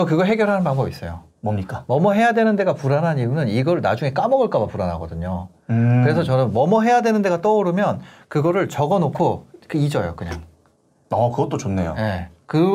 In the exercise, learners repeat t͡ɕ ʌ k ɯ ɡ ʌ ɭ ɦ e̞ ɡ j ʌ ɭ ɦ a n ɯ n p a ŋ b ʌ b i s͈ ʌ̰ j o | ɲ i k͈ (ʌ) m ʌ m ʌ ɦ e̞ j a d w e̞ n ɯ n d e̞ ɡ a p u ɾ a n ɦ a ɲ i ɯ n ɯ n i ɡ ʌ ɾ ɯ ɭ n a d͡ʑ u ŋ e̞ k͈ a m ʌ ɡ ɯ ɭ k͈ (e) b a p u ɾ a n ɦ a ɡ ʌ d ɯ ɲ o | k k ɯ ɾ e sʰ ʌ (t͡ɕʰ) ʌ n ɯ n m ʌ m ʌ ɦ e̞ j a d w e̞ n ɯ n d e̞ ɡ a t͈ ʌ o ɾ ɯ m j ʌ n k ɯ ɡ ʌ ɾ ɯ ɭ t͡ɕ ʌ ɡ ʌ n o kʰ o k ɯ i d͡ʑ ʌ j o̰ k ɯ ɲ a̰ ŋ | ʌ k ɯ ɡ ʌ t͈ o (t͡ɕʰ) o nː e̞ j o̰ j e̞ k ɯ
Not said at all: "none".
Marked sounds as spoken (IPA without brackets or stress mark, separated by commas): a, a, t͡ɕ, t͡ɕ